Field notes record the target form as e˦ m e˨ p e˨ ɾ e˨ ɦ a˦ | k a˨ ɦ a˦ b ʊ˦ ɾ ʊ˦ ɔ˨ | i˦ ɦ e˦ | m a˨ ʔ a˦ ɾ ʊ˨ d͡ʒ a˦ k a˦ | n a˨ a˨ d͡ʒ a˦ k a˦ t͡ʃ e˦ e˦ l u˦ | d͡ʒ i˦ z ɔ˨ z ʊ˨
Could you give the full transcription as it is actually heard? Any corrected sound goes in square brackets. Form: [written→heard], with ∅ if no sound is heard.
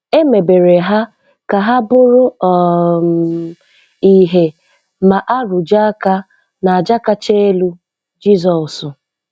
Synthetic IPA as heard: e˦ m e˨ [p→b] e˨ ɾ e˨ ɦ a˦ | k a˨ ɦ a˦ b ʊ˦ ɾ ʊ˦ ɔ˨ | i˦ ɦ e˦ | m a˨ ʔ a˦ ɾ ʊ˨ d͡ʒ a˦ k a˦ | n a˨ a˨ d͡ʒ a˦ k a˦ t͡ʃ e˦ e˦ l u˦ | d͡ʒ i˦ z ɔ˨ [z→s] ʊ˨